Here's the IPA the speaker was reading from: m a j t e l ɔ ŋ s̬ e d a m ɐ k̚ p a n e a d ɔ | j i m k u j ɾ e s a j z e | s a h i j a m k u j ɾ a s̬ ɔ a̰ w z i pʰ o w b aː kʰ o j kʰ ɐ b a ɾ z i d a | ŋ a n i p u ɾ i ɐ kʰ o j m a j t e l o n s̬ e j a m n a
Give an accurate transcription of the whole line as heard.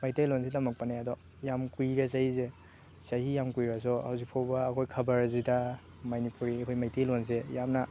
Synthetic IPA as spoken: m a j t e l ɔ n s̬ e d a m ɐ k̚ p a n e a d ɔ | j a m k u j ɾ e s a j z e | s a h i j a m k u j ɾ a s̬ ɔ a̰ w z i pʰ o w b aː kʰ o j kʰ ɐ b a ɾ z i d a | m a n i p u ɾ i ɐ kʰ o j m a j t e l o n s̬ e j a m n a